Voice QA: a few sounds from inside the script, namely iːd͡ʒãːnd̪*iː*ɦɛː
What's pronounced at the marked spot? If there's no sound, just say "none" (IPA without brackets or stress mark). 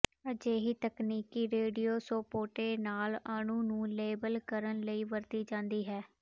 iː